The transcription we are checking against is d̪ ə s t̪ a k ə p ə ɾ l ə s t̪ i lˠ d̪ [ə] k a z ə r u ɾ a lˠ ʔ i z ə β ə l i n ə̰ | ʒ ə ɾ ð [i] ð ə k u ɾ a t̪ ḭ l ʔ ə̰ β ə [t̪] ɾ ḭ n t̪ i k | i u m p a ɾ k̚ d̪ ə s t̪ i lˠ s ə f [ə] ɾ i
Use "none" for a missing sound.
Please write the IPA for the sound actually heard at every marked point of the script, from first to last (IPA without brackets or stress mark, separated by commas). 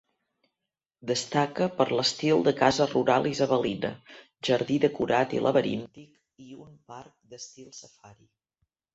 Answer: ə, i, none, a